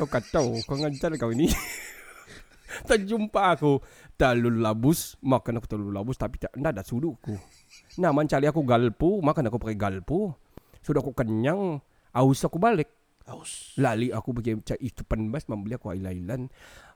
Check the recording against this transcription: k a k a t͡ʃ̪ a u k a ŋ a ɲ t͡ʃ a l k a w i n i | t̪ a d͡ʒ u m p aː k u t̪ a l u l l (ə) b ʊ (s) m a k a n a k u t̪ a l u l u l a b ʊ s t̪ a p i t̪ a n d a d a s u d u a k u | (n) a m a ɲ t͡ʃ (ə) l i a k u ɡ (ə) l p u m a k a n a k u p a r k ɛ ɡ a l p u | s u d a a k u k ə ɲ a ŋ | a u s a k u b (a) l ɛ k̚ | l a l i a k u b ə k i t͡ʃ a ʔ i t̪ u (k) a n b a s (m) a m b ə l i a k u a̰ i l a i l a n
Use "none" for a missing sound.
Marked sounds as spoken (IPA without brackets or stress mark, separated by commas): a, s, n, a, a, a, p, m